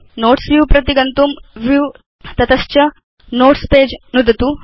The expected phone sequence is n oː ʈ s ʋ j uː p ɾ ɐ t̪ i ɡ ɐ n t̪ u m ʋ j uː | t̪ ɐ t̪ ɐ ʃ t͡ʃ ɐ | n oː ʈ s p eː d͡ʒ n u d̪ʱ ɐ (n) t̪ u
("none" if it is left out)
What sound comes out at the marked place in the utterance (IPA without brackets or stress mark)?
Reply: none